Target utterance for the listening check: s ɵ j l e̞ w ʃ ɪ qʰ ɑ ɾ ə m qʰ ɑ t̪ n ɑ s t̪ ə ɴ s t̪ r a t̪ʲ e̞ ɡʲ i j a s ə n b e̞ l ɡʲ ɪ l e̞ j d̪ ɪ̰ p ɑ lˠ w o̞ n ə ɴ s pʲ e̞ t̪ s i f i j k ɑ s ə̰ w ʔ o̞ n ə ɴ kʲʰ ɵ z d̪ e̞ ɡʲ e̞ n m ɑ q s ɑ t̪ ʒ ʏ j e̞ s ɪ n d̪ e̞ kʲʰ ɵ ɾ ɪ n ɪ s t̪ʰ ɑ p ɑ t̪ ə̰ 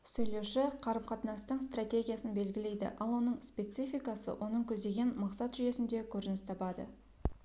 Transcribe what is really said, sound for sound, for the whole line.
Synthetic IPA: s ɵ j l e̞ w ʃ ɪ qʰ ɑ ɾ ə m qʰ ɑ t̪ n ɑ s t̪ ə ɴ s t̪ r a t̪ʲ e̞ ɡʲ i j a s ə n b e̞ l ɡʲ ɪ l e̞ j d̪ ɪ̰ ʔ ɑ lˠ w o̞ n ə ɴ s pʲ e̞ t̪ s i f i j k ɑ s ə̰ w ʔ o̞ n ə ɴ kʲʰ ɵ z d̪ e̞ ɡʲ e̞ n m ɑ q s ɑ t̪ ʒ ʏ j e̞ s ɪ n d̪ e̞ kʲʰ ɵ ɾ ɪ n ɪ s t̪ʰ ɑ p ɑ d̪ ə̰